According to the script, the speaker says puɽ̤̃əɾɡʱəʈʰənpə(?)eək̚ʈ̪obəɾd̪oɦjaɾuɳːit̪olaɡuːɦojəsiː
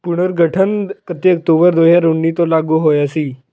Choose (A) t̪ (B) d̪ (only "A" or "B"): A